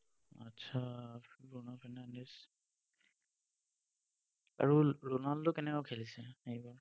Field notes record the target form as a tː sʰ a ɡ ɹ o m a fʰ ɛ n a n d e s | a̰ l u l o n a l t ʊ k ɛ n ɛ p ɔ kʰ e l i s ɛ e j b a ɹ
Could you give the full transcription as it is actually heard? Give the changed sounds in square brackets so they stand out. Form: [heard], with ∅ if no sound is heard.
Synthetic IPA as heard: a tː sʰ a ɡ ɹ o [n] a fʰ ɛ n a n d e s | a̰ [ɹ] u [ɹ] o n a l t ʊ k ɛ n ɛ [k] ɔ kʰ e l i s ɛ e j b a ɹ